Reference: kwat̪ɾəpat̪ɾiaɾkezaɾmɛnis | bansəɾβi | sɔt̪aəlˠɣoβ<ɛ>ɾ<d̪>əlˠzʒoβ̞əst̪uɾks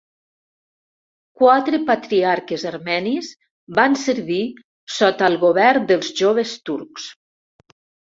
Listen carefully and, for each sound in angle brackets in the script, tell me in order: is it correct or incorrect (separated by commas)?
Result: correct, correct